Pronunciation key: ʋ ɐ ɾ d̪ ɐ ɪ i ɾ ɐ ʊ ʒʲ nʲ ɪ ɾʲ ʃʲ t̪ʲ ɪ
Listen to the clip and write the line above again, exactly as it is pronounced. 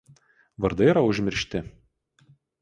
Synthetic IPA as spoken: ʋ ɐ ɾ d̪ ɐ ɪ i ɾ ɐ ʊ ʒʲ mʲ ɪ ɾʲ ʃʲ t̪ʲ ɪ